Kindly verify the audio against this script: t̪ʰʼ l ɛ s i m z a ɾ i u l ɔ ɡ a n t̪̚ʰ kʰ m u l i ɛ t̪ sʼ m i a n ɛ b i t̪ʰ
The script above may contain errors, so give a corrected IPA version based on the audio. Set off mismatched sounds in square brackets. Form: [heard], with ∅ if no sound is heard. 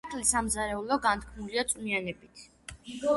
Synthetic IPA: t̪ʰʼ l [i] s [a] m z a ɾ [ɛ] u l ɔ ɡ a n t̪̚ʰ kʰ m u l i [a] t̪ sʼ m i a n ɛ b i t̪ʰ